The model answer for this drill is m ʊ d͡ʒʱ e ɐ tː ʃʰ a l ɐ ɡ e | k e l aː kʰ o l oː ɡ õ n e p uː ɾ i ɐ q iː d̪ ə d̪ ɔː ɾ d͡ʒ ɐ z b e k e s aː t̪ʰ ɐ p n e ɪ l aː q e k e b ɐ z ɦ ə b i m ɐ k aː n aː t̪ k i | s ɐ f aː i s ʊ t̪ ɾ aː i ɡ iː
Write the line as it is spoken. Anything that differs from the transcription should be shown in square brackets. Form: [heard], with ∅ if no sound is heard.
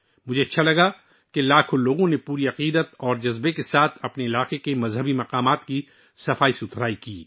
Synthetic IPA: m ʊ d͡ʒʱ e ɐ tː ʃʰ a l ɐ ɡ [a] | k e l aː kʰ o l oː ɡ õ n e p uː ɾ i ɐ q iː d̪ ə [t̪] ɔː ɾ d͡ʒ ɐ z b e k e s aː t̪ʰ ɐ p n e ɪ l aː q e k e [m] ɐ z ɦ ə b i m ɐ [q] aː [m] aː t̪ k i | s ɐ f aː i s ʊ t̪ ɾ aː i [k] iː